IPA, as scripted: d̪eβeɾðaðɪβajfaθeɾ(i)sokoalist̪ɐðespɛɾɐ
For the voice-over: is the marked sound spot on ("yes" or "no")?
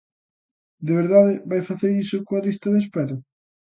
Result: yes